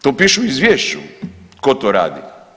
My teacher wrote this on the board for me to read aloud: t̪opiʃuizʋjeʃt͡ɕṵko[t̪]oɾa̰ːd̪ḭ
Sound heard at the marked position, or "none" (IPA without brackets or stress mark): t̪